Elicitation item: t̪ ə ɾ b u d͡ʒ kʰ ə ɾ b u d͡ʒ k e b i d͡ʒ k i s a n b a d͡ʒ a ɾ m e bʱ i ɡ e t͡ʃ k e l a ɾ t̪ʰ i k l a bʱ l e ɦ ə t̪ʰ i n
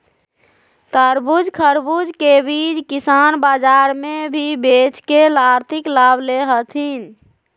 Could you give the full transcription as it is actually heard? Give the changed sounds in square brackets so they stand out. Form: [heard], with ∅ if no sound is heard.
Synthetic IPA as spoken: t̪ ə ɾ b u d͡ʒ kʰ ə ɾ b u d͡ʒ k e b i d͡ʒ k i s a n b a d͡ʒ a ɾ m e bʱ i [b] e t͡ʃ k e l a ɾ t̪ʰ i k l a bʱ l e ɦ ə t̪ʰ i n